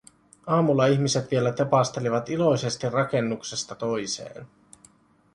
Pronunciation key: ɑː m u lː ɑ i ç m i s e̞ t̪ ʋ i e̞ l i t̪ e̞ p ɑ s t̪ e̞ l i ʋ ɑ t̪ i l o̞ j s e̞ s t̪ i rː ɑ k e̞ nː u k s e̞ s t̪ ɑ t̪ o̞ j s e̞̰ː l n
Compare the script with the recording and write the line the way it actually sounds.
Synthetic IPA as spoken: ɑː m u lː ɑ i ç m i s e̞ t̪ ʋ i e̞ l æ t̪ e̞ p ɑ s t̪ e̞ l i ʋ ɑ t̪ i l o̞ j s e̞ s t̪ i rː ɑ k e̞ nː u k s e̞ s t̪ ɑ t̪ o̞ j s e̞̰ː n